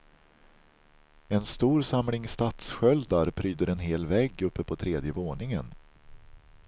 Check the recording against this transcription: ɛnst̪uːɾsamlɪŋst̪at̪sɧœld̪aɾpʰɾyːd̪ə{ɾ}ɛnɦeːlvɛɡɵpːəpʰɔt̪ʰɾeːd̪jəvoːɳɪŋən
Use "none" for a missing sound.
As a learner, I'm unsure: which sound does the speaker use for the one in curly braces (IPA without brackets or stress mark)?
ɾ